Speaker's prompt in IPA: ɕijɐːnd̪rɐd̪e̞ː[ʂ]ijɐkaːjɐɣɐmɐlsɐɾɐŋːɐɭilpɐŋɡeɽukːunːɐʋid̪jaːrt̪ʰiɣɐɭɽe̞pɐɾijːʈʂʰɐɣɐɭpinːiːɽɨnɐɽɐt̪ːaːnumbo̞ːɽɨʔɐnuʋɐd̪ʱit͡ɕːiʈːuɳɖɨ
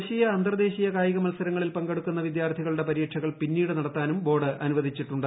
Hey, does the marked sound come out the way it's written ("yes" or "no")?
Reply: no